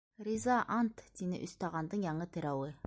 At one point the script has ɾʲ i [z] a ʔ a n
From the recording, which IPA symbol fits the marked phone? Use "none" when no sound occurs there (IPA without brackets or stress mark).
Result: z